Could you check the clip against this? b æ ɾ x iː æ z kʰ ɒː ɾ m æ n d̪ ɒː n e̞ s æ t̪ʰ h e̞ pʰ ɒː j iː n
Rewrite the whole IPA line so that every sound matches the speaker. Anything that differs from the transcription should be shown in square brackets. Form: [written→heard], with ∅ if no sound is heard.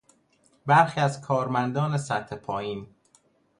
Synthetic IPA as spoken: b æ ɾ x iː æ z kʰ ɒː ɾ m æ n d̪ ɒː n e̞ s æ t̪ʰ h e̞ pʰ ɒː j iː n